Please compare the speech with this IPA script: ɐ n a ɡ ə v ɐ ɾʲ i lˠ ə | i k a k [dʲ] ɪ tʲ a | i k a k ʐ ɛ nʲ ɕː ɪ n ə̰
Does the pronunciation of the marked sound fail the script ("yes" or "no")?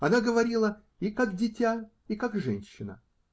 no